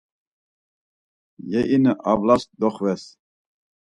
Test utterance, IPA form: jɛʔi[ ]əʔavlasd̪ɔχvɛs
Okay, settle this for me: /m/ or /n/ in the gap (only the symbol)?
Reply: n